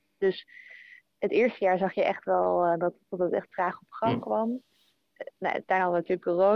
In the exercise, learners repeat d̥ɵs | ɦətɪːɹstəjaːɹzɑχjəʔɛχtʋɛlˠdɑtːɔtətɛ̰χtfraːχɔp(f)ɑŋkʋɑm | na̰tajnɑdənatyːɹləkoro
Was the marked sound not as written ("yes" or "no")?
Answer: yes